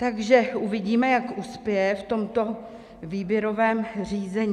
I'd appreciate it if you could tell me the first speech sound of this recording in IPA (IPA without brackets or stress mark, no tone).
t̪